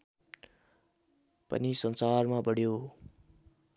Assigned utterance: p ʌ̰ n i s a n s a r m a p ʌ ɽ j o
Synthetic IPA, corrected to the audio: p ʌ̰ n i s ʌ n s a r m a b ʌ ɽ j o

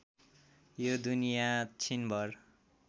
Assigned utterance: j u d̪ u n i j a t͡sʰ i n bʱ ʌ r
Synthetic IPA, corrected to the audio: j o d̪ u n i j a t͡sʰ i n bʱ ʌ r

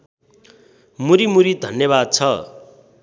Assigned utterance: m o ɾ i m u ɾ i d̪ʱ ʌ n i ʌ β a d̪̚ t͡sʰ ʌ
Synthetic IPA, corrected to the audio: m u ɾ i m u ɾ i d̪ʱ ʌ n j ʌ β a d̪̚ t͡sʰ ʌ

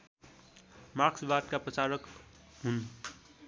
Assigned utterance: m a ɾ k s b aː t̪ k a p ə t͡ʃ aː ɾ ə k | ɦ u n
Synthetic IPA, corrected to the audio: m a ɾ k s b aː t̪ k a p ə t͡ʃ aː ɾ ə k | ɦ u n

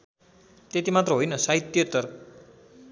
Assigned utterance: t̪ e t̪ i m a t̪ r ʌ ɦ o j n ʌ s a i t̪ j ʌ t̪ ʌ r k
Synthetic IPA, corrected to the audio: t̪ e t̪ i m a t̪ r ʌ ɦ o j n ʌ s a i t̪ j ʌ t̪ ʌ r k

